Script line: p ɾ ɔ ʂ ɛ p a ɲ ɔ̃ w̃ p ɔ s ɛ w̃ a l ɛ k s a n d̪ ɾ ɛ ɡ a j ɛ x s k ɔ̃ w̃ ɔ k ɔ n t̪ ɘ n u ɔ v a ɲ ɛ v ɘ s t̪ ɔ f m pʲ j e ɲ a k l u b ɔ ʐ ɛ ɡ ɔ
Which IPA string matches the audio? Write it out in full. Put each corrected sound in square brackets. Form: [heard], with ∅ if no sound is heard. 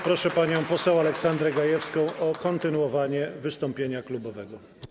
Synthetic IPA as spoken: p ɾ ɔ ʂ ɛ p a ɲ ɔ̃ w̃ p ɔ s ɛ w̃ a l ɛ k s a n d̪ ɾ ɛ ɡ a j ɛ [f] s k ɔ̃ w̃ ɔ k ɔ n t̪ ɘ n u ɔ v a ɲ ɛ v ɘ s t̪ ɔ [∅] m pʲ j e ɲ a k l u b ɔ [v] ɛ ɡ ɔ